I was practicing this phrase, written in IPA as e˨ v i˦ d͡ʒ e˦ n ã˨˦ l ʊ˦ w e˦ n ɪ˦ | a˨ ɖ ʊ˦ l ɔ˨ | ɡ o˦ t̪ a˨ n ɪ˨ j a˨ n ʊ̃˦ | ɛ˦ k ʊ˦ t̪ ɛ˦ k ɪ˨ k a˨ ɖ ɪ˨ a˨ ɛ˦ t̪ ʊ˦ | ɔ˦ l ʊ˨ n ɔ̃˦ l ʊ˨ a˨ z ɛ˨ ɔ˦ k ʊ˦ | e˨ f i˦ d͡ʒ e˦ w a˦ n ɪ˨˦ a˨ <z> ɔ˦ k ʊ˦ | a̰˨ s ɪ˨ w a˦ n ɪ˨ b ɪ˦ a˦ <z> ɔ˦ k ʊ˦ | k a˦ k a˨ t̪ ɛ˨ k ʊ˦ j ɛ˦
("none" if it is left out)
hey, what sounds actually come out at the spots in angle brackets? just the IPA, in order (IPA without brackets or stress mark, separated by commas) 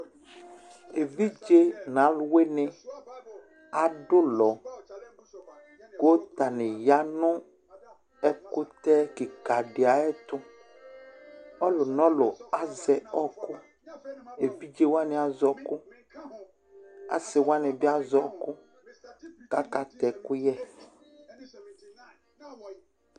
z, z